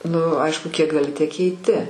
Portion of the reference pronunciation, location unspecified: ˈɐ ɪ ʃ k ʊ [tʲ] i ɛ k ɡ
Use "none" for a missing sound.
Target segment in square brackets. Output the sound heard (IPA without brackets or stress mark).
kʲ